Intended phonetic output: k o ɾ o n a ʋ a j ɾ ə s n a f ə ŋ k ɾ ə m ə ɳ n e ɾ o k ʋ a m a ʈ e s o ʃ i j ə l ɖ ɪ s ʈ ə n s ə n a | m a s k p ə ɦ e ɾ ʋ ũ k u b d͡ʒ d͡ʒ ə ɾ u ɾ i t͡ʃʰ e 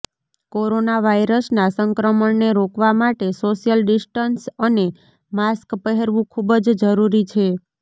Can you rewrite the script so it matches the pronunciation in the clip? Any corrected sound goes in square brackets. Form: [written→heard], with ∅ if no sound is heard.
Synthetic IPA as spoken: k o ɾ o n a ʋ a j ɾ ə s n a [f→s] ə ŋ k ɾ ə m ə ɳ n e ɾ o k ʋ a m a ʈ e s o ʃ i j ə l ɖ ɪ s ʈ ə n s ə n [a→e] | m a s k p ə ɦ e ɾ ʋ ũ [k→kʰ] u b d͡ʒ d͡ʒ ə ɾ u ɾ i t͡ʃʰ e